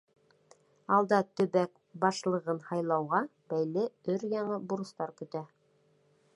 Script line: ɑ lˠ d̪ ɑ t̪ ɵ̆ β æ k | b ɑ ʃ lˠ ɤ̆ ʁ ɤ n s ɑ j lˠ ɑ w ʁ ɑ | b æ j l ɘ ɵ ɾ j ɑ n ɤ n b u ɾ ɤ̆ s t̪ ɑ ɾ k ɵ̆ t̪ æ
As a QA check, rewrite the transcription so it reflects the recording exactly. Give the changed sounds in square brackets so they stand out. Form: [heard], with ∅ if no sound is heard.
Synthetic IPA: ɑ lˠ d̪ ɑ t̪ ɵ̆ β æ k | b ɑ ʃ lˠ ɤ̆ ʁ ɤ n [h] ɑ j lˠ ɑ w ʁ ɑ | b æ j l ɘ ɵ ɾ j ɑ [ɴ] ɤ [∅] b u ɾ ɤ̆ s t̪ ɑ ɾ k ɵ̆ t̪ æ